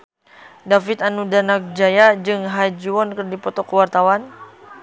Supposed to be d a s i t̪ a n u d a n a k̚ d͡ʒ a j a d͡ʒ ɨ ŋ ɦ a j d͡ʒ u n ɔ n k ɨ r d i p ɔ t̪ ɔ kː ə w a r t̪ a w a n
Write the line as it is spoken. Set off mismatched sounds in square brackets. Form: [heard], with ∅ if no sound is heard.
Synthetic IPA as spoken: d a [f] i t̪ a n u d a n a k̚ d͡ʒ a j a d͡ʒ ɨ ŋ ɦ a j d͡ʒ u [∅] ɔ n k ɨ r d i p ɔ t̪ ɔ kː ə w a r t̪ a w a n

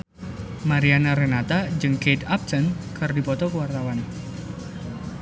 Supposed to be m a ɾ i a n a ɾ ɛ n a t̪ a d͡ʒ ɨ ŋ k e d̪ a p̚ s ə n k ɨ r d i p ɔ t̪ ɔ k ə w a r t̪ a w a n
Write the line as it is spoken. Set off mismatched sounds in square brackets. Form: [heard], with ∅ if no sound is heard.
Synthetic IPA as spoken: m a ɾ i a n a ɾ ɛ n a t̪ a d͡ʒ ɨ ŋ k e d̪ a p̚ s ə n k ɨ r d i p ɔ t̪ ɔ k ə w a r t̪ a w a n

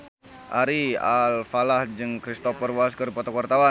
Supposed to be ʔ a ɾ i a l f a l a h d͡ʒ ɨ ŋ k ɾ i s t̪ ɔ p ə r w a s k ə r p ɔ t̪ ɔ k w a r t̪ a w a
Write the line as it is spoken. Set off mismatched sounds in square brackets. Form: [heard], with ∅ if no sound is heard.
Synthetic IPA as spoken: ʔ a ɾ i a l f a l a h d͡ʒ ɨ ŋ k ɾ i s t̪ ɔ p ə r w a s k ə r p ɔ t̪ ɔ k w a r t̪ a w a

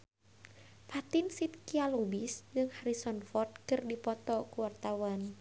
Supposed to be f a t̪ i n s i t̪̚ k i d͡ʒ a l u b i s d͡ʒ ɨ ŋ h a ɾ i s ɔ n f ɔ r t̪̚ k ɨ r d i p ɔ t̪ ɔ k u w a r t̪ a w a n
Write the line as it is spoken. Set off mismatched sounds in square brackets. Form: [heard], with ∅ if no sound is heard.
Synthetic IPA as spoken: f a t̪ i n s i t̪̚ k i [∅] a l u b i s d͡ʒ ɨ ŋ h a ɾ i s ɔ n f ɔ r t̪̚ k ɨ r d i p ɔ t̪ ɔ k u w a r t̪ a w a n

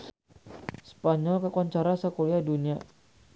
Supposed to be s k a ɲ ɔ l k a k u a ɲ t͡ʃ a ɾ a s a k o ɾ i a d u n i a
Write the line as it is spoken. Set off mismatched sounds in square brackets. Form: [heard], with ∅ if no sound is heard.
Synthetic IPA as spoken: s [p] a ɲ ɔ l k a k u a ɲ t͡ʃ a ɾ a s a k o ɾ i a d u n i a

